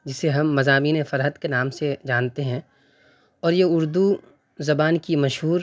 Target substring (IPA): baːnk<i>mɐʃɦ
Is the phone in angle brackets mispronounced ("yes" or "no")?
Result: no